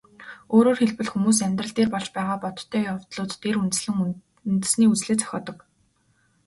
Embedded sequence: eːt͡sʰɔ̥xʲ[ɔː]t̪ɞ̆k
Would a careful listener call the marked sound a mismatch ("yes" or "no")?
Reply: no